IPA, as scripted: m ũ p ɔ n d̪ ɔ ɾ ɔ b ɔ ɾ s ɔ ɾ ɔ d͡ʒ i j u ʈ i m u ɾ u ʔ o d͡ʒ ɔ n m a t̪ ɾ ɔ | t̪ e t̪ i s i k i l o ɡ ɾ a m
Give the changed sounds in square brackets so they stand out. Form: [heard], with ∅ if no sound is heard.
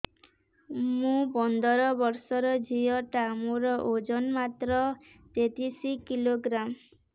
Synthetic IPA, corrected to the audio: m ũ p ɔ n d̪ ɔ ɾ ɔ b ɔ ɾ s ɔ ɾ ɔ d͡ʒ i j [ɔ] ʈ [a] m u ɾ [ɔ] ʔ o d͡ʒ ɔ n m a t̪ ɾ ɔ | t̪ e t̪ i s i k i l o ɡ ɾ a m